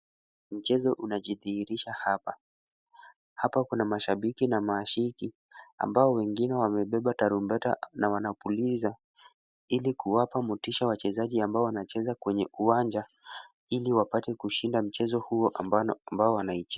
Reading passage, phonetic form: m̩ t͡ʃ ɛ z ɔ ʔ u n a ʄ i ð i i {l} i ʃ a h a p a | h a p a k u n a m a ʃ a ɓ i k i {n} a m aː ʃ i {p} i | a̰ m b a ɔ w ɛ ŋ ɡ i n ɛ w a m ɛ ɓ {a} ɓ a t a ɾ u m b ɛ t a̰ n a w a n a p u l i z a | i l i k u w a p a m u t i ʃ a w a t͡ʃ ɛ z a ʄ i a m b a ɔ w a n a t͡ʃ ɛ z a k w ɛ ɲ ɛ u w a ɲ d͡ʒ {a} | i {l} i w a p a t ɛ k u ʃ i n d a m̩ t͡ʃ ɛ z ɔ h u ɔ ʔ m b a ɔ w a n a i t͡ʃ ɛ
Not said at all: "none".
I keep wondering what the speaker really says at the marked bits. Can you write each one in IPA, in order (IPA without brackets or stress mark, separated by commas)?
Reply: ɾ, n, k, ɛ, a, l